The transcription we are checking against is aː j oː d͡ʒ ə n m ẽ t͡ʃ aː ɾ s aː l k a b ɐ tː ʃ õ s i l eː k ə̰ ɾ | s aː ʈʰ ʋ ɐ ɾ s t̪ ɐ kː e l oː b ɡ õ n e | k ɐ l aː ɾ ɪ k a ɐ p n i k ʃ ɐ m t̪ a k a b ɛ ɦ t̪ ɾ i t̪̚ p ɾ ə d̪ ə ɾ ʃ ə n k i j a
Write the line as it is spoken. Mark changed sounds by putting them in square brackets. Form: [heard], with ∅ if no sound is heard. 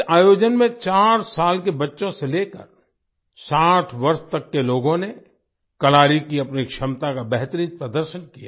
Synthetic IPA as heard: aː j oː d͡ʒ ə n m ẽ t͡ʃ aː ɾ s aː l k [e] b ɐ tː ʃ õ s [e] l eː k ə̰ ɾ | s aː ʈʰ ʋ ɐ ɾ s t̪ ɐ kː e l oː [∅] ɡ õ n e | k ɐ l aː ɾ [i] k [i] ɐ p n i k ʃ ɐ m t̪ a k a b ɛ ɦ t̪ ɾ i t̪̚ p ɾ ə d̪ ə ɾ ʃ ə n k i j a